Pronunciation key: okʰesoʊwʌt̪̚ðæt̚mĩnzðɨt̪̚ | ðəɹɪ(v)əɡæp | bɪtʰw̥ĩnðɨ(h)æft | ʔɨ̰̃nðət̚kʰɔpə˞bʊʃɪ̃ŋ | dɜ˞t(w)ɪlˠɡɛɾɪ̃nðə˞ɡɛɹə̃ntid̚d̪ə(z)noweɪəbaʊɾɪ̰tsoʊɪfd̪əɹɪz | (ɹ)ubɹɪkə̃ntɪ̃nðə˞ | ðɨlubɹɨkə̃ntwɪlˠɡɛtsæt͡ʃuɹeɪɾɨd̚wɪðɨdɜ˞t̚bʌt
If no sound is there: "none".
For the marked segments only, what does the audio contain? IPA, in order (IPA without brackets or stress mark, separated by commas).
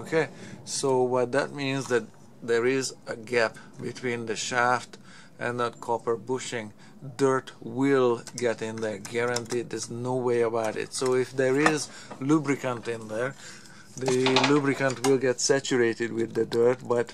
z, ʃ, w, z, l